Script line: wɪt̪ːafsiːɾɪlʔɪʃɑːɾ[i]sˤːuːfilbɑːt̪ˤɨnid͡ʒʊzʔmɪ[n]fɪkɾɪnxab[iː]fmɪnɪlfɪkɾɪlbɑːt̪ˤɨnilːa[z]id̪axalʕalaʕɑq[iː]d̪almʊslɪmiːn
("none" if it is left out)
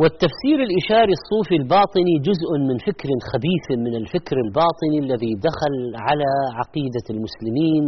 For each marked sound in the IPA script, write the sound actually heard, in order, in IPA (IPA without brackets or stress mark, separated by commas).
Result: i, n, iː, ð, iː